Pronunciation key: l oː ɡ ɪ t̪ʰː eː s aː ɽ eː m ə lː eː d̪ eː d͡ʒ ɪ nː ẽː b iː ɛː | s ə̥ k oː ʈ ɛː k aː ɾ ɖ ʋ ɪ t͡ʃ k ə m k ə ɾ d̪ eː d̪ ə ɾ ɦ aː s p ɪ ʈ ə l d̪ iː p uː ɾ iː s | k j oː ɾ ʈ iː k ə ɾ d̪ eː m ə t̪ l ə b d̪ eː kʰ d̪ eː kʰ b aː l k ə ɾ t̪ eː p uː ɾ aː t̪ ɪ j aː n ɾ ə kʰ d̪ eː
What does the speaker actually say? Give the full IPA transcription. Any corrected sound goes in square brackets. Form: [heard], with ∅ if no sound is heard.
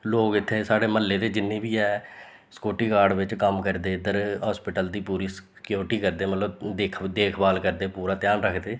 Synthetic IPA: l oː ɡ ɪ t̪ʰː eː s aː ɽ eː m ə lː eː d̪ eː d͡ʒ ɪ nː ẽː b iː ɛː | s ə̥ k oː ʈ [iː] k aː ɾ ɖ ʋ ɪ t͡ʃ k ə m k ə ɾ d̪ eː d̪ ə ɾ ɦ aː s p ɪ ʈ ə l d̪ iː p uː ɾ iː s | k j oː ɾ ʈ iː k ə ɾ d̪ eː m ə t̪ l ə b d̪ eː kʰ d̪ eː kʰ b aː l k ə ɾ [d̪] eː p uː ɾ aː t̪ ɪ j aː n ɾ ə kʰ d̪ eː